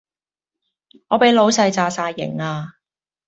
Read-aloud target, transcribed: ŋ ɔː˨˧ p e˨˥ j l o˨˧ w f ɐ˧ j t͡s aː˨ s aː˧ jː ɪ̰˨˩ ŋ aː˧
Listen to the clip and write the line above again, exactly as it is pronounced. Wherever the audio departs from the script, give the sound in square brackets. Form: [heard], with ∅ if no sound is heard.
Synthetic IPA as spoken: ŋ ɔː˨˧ p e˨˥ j l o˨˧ w [s] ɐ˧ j t͡s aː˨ s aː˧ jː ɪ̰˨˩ ŋ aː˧